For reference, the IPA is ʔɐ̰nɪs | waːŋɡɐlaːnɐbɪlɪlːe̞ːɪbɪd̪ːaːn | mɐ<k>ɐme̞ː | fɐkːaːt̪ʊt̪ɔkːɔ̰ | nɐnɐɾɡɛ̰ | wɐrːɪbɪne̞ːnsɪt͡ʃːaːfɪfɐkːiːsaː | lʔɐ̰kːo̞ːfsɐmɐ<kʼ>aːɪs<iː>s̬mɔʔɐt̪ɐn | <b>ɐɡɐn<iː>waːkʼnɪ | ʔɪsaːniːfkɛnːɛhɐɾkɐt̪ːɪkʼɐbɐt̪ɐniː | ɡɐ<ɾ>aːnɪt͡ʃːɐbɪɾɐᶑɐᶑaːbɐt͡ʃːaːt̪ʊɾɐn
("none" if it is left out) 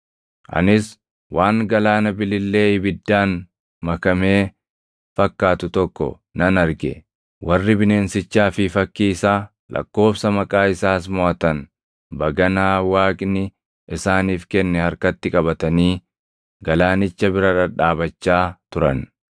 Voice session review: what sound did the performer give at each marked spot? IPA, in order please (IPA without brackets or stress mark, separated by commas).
k, kʼ, aː, b, aː, l